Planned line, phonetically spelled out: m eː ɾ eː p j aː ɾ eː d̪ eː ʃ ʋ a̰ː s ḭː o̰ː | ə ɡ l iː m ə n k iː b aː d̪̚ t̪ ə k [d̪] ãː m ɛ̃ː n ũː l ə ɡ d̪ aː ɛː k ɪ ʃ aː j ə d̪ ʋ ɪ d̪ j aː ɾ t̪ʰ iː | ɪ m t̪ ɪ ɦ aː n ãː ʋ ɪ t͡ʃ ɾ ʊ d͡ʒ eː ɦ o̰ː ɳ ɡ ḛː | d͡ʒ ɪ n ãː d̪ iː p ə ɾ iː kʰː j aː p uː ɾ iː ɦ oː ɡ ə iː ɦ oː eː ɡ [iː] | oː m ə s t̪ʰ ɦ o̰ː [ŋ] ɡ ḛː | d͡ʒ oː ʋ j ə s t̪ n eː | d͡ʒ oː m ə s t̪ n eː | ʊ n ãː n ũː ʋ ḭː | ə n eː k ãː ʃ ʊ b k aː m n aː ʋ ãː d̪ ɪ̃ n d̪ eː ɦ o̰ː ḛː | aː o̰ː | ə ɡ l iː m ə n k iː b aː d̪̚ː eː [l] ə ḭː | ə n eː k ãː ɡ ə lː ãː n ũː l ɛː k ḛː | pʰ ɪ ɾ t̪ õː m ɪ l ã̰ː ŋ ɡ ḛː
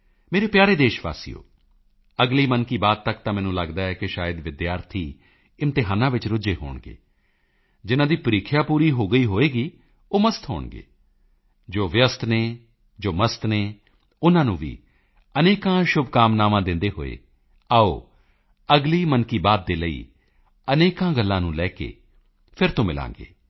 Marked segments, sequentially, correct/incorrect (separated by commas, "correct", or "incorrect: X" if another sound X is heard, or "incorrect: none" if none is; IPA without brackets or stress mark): incorrect: t̪, correct, incorrect: ɳ, correct